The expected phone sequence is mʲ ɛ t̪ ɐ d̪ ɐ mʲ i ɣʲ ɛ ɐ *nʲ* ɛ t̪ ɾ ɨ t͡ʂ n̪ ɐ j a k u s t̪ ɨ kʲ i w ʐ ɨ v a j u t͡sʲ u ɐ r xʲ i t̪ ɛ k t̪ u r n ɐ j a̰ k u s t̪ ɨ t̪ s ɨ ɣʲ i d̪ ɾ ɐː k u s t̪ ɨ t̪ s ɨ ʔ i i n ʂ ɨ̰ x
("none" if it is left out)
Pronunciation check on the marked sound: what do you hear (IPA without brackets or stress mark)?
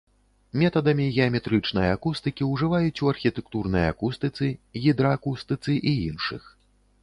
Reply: mʲ